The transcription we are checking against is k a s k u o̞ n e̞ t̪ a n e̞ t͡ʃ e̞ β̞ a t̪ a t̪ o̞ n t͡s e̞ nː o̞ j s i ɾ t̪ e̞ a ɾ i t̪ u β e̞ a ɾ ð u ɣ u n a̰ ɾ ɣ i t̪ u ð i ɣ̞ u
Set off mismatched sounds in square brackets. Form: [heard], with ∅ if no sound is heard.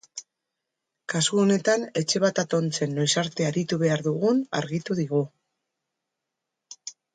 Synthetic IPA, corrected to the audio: k a s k u o̞ n e̞ t̪ a n e̞ t͡ʃ e̞ β̞ a t̪ a t̪ o̞ n t͡s e̞ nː o̞ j s [a] ɾ t̪ e̞ a ɾ i t̪ u β e̞ a ɾ ð u ɣ u n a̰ ɾ ɣ i t̪ u ð i ɣ̞ u